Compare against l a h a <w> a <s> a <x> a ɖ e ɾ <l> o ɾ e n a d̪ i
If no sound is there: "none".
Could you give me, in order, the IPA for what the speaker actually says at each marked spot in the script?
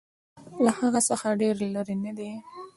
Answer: ɣ, s, x, l

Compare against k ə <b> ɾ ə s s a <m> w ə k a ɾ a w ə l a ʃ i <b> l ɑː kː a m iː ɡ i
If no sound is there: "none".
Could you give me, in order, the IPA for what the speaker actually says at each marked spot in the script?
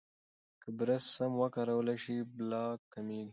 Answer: b, m, b

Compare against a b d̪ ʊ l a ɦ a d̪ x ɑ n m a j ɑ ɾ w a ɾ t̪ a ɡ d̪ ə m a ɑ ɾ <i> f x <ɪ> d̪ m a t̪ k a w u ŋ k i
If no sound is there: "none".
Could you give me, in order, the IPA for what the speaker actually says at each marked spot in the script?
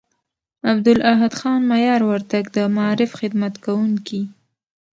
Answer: ɪ, ɪ

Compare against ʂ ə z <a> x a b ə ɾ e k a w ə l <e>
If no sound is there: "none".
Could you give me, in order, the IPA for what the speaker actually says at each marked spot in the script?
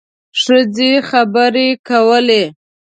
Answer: e, e

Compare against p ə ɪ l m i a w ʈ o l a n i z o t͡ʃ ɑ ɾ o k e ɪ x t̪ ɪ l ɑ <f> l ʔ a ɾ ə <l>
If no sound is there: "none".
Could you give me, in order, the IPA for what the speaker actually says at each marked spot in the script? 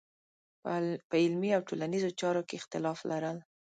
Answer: f, l

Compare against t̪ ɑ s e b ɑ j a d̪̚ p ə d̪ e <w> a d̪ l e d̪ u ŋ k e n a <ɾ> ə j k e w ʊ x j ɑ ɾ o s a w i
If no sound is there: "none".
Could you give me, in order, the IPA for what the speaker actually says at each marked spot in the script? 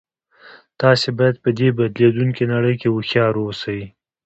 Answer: b, ɽ

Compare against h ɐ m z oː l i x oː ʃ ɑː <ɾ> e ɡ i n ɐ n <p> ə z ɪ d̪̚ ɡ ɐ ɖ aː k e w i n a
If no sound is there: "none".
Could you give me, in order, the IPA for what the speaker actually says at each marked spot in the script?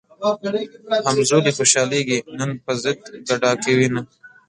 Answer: l, p

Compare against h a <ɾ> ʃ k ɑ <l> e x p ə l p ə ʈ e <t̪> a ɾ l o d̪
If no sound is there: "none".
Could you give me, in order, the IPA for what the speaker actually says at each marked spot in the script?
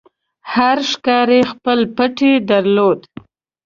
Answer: ɾ, ɾ, d̪

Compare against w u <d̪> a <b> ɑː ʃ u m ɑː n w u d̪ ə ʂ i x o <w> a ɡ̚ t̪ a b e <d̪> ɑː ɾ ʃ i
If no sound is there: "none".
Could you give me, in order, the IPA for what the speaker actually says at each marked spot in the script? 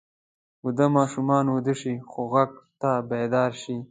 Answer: d̪, m, ɣ, d̪

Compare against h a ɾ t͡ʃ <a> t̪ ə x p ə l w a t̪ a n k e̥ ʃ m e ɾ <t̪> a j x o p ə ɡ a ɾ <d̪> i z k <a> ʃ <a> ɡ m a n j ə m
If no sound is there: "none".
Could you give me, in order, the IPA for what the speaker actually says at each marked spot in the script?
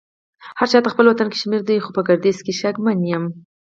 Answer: ɑ, d̪, d̪, e, a

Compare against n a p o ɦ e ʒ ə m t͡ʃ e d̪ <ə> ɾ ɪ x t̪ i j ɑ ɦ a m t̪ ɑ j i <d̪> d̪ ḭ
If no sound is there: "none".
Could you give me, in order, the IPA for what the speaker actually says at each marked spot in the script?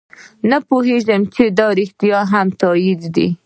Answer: ɑ, d̪

